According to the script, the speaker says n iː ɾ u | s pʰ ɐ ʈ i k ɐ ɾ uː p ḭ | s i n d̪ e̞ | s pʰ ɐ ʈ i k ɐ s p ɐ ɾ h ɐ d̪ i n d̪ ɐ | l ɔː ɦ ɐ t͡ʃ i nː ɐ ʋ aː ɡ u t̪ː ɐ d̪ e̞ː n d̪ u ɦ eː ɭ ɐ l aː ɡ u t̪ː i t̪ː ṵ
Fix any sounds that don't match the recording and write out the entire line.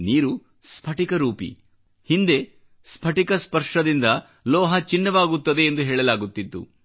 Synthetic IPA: n iː ɾ u | s pʰ ɐ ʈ i k ɐ ɾ uː p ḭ | h i n d̪ e̞ | s pʰ ɐ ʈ i k ɐ s p ɐ ɾ ʂ ɐ d̪ i n d̪ ɐ | l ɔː ɦ ɐ t͡ʃ i nː ɐ ʋ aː ɡ u t̪ː ɐ d̪ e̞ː n d̪ u ɦ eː ɭ ɐ l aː ɡ u t̪ː i t̪ː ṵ

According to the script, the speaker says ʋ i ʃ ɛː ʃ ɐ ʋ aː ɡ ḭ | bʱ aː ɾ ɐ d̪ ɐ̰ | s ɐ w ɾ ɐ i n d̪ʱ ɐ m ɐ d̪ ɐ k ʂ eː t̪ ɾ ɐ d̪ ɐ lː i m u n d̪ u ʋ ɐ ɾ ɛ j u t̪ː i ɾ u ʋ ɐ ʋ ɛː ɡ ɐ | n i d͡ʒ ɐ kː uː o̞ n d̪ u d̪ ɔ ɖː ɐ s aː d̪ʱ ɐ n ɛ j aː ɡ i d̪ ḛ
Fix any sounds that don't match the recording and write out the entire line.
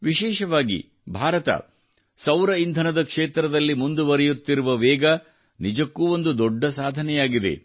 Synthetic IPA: ʋ i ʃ ɛː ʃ ɐ ʋ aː ɡ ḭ | bʱ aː ɾ ɐ t̪ ɐ̰ | s ɐ w ɾ ɐ i n d̪ʱ ɐ n ɐ d̪ ɐ k ʂ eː t̪ ɾ ɐ d̪ ɐ lː i m u n d̪ u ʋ ɐ ɾ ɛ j u t̪ː i ɾ u ʋ ɐ ʋ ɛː ɡ ɐ | n i d͡ʒ ɐ kː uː o̞ n d̪ u d̪ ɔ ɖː ɐ s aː d̪ʱ ɐ n ɛ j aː ɡ i d̪ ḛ

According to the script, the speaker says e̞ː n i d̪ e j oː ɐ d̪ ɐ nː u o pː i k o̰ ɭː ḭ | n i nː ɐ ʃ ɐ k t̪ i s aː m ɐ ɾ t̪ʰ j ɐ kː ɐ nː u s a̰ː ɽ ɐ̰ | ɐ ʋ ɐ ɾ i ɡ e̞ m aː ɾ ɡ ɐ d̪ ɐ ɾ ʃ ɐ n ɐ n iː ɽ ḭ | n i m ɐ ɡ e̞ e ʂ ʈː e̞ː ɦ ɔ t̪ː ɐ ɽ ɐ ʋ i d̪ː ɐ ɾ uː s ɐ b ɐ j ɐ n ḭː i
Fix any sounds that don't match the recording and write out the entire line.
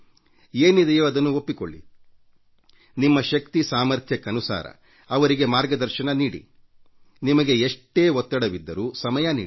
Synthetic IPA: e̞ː n i d̪ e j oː ɐ d̪ ɐ nː u o pː i k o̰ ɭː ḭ | n i mː ɐ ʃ ɐ k t̪ i s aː m ɐ ɾ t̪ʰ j ɐ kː ɐ n u s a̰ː ɾ ɐ̰ | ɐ ʋ ɐ ɾ i ɡ e̞ m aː ɾ ɡ ɐ d̪ ɐ ɾ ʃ ɐ n ɐ n iː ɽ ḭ | n i m ɐ ɡ e̞ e ʂ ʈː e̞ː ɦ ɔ t̪ː ɐ ɽ ɐ ʋ i d̪ː ɐ ɾ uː s ɐ m ɐ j ɐ n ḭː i

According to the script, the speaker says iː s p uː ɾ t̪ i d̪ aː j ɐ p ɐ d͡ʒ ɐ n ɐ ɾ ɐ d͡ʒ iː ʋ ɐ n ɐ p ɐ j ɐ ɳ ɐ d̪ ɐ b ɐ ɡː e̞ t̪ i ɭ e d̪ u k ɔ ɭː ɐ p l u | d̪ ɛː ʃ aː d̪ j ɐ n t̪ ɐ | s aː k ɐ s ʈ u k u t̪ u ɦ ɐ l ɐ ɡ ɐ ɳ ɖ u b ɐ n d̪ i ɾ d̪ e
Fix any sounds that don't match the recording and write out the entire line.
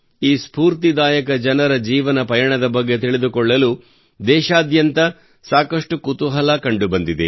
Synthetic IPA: iː s p uː ɾ t̪ i d̪ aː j ɐ k ɐ d͡ʒ ɐ n ɐ ɾ ɐ d͡ʒ iː ʋ ɐ n ɐ p ɐ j ɐ ɳ ɐ d̪ ɐ b ɐ ɡː e̞ t̪ i ɭ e d̪ u k ɔ ɭː ɐ l u | d̪ ɛː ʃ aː d̪ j ɐ n t̪ ɐ | s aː k ɐ ʂ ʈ u k u t̪ u ɦ ɐ l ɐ k ɐ ɳ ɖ u b ɐ n d̪ i d̪ e

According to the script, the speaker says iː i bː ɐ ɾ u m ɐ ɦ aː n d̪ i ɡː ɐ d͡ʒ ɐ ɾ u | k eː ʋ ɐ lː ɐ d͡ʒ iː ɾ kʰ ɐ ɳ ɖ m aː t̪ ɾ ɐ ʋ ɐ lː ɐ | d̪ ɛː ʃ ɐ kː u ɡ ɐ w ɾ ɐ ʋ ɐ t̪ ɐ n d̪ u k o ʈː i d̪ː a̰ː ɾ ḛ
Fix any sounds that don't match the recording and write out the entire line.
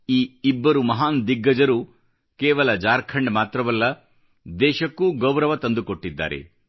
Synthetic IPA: iː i bː ɐ ɾ u m ɐ ɦ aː n d̪ i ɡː ɐ d͡ʒ ɐ ɾ u | k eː ʋ ɐ l ɐ d͡ʒ aː ɾ kʰ ɐ ɳ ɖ m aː t̪ ɾ ɐ ʋ ɐ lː ɐ | d̪ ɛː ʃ ɐ kː u ɡ ɐ w ɾ ɐ ʋ ɐ t̪ ɐ n d̪ u k o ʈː i d̪ː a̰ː ɾ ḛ

